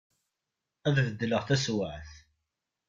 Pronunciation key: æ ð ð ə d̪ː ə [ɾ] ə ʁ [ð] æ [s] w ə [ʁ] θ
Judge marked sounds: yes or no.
no, no, yes, no

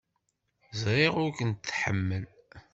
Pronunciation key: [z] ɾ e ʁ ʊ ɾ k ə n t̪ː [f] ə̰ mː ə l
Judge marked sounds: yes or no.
yes, no

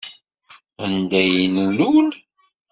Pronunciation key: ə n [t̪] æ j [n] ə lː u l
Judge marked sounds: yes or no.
no, yes

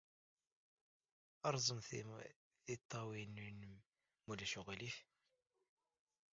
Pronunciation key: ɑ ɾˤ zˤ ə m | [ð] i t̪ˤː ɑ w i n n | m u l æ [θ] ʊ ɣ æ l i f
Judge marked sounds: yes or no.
no, no

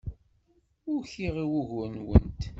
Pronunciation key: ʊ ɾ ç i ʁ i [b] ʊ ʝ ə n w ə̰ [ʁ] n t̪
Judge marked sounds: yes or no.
no, no

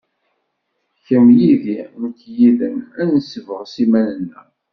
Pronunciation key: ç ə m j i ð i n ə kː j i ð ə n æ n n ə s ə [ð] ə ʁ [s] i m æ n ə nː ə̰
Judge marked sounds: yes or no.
no, yes

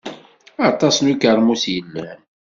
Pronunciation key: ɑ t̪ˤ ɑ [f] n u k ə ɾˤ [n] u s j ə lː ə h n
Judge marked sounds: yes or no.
no, no

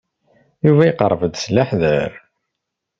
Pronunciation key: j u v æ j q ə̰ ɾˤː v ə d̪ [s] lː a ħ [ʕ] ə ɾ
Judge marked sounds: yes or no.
yes, no

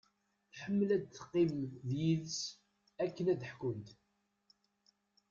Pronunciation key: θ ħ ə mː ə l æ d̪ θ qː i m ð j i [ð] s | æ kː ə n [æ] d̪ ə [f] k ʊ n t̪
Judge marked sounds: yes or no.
yes, yes, no

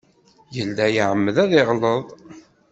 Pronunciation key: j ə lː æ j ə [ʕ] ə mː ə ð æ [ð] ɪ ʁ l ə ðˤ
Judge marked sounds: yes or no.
yes, yes

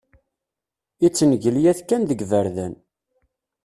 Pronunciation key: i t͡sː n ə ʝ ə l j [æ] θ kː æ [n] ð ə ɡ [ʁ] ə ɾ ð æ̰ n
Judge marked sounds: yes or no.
yes, yes, no

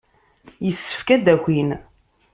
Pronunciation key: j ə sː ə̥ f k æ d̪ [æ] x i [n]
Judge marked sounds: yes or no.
yes, yes

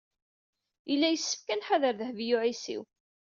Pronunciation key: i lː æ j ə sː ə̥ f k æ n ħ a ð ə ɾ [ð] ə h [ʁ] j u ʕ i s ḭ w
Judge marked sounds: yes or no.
yes, no

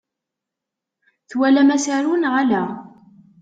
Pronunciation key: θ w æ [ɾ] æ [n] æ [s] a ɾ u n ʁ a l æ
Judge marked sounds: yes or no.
no, no, yes

